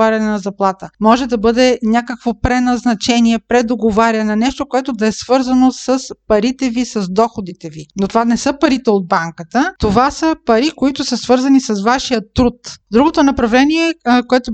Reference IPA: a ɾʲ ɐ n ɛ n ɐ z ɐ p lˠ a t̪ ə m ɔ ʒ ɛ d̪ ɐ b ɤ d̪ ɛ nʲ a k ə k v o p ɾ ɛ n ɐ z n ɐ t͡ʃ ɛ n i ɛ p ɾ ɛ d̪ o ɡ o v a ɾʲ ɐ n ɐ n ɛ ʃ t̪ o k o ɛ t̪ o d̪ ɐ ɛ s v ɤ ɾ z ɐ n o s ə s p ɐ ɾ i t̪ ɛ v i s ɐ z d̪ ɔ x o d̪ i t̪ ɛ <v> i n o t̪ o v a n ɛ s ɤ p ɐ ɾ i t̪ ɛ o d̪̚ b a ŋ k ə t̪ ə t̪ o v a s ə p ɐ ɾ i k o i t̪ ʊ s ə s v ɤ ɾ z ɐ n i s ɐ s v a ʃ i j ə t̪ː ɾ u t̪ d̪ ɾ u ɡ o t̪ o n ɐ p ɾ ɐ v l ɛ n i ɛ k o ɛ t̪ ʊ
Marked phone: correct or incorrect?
correct